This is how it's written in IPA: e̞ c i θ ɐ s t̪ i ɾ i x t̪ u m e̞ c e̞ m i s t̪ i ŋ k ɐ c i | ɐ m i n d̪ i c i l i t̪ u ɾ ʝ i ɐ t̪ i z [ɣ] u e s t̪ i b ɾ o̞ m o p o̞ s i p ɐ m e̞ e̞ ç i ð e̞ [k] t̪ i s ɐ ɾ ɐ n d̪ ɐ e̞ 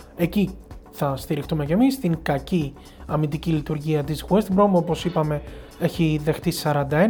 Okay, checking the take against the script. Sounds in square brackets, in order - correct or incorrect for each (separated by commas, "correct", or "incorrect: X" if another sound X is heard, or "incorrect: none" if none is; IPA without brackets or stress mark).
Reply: correct, incorrect: x